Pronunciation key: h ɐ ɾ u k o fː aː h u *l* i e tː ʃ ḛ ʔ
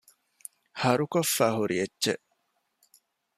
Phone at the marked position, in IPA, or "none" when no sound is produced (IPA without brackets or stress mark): ɾ